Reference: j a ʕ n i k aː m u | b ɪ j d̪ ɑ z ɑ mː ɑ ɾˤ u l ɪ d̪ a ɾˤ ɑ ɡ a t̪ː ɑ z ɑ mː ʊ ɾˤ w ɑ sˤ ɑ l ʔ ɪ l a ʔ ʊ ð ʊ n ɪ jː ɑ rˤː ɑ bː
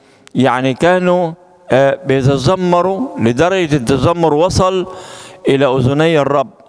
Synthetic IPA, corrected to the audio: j a ʕ n i k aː n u | b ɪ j t̪ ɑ z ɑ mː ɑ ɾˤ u l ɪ d̪ ɑ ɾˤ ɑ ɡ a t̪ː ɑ z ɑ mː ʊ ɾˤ w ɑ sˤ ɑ l ʔ ɪ l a ʔ ʊ z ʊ n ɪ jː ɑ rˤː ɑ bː